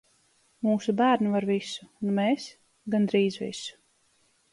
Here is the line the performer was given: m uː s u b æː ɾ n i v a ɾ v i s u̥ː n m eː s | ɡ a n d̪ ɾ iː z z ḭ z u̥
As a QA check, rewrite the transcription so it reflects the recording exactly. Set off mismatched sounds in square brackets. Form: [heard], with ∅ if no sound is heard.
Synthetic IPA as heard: m uː s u b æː ɾ n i v a ɾ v i s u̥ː n m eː s | ɡ a n d̪ ɾ iː z [v] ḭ [s] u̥

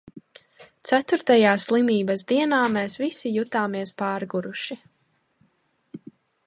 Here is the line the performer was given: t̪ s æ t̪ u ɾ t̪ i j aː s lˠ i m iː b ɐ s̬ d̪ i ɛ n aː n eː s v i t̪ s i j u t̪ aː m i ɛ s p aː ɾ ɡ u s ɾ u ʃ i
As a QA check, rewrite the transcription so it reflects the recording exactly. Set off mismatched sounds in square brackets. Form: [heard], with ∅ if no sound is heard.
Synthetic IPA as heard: t̪ s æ t̪ u ɾ t̪ [a] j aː s lˠ i m iː b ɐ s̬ d̪ i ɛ n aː [m] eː s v i [∅] s i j u t̪ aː m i ɛ s p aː ɾ ɡ u [∅] ɾ u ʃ i

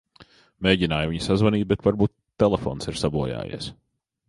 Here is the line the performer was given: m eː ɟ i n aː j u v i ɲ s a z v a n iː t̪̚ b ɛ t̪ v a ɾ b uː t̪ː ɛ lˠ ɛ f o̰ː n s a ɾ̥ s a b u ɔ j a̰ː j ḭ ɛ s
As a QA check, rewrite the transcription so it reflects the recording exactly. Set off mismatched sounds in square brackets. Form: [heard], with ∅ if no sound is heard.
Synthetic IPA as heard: m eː ɟ i n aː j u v i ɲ s a z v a n iː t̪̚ b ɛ t̪ v a ɾ b uː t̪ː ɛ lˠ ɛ f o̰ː n s [i] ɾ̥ s a b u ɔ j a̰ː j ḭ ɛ s

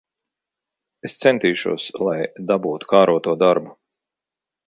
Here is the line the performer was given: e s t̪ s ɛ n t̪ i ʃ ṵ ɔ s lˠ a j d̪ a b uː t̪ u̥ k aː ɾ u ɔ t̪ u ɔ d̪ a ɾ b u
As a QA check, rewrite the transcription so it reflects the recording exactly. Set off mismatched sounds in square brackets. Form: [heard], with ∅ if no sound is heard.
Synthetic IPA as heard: e s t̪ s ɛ n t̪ [iː] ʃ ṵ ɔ s lˠ a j d̪ a b uː t̪ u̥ k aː ɾ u ɔ t̪ u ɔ d̪ a ɾ b u

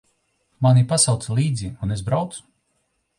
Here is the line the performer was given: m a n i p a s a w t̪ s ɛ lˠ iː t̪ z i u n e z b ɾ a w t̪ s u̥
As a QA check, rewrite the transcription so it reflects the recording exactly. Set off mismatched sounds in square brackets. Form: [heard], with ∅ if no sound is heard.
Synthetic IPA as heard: m a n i p a s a w t̪ s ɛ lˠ iː [d̪] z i u n e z b ɾ a w t̪ s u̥

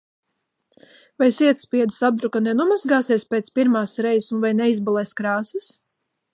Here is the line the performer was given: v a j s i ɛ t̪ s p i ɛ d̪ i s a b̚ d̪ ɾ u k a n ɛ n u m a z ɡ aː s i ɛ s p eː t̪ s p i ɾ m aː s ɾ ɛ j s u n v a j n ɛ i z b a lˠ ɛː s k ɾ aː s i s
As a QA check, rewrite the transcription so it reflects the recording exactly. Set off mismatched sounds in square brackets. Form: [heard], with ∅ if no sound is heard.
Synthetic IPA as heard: v a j s i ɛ t̪ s p i ɛ d̪ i s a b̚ d̪ ɾ u k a n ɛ n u m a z ɡ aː s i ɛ s p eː t̪ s p i ɾ m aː s ɾ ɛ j s u n v a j n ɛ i z b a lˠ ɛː s k ɾ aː s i s

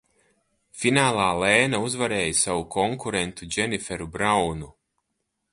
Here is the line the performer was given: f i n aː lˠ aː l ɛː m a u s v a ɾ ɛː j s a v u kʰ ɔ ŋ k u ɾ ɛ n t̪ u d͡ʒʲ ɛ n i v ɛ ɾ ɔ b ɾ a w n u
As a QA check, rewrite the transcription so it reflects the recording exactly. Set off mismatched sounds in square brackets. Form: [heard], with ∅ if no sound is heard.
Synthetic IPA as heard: f i n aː lˠ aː l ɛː [n] a u [z] v a ɾ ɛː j s a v u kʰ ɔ ŋ k u ɾ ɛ n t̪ u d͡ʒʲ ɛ n i [f] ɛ ɾ [u] b ɾ a w n u

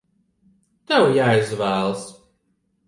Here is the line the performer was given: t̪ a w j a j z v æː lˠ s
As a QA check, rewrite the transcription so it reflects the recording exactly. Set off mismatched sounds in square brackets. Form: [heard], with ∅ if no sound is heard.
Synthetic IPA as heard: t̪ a w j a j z v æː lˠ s

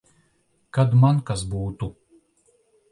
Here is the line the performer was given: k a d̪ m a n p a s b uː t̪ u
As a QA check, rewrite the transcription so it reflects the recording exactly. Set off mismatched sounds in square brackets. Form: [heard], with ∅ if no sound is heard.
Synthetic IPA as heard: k a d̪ m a n [k] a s b uː t̪ u

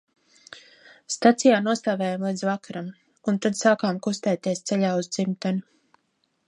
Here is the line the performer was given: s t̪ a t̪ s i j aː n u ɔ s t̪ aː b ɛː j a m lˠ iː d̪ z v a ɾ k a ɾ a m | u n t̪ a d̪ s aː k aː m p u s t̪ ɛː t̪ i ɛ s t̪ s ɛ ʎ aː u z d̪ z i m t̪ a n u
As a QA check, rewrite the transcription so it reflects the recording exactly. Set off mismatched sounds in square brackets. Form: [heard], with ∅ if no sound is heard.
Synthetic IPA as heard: s t̪ a t̪ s i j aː n u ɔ s t̪ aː [v] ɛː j a m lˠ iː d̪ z v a [∅] k a ɾ a m | u n t̪ a d̪ s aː k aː m [k] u s t̪ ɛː t̪ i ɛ s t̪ s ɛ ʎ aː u z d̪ z i m t̪ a n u

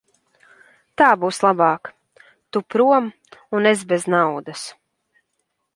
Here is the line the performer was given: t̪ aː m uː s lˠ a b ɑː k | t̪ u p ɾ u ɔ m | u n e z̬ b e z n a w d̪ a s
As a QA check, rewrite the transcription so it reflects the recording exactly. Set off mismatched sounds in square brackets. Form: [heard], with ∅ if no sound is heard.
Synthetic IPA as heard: t̪ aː [b] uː s lˠ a b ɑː k | t̪ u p ɾ u ɔ m | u n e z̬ b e z n a w d̪ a s

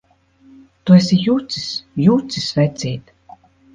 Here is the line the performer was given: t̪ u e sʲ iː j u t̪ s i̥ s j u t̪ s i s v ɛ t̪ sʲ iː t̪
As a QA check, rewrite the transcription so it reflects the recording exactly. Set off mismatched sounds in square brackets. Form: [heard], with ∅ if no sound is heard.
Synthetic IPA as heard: t̪ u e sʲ [i] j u t̪ s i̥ s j u t̪ s i s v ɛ t̪ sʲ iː t̪

